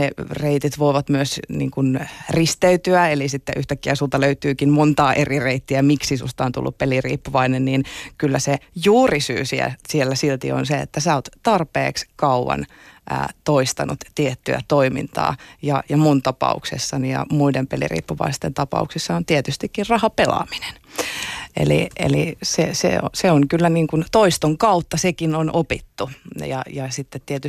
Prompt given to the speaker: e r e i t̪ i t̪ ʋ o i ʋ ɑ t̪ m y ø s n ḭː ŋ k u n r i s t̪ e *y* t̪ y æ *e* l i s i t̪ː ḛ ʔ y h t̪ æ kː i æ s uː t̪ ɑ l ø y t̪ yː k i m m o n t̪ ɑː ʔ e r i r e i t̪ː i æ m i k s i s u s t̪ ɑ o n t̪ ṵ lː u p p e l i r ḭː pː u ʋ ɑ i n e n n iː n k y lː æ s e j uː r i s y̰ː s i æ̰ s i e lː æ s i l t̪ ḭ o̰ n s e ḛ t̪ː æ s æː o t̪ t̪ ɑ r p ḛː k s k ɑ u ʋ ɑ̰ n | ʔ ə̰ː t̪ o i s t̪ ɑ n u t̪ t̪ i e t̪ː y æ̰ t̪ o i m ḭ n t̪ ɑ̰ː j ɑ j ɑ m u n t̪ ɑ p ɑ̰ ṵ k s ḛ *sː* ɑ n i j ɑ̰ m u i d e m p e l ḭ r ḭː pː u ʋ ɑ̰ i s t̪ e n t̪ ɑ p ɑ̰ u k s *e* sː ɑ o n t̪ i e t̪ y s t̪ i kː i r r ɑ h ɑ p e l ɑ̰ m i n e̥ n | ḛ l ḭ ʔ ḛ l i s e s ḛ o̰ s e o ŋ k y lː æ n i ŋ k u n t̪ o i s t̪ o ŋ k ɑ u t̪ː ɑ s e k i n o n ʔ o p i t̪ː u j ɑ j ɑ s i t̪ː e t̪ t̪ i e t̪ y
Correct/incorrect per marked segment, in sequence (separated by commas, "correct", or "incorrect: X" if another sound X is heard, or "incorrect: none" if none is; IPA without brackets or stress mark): correct, correct, correct, incorrect: i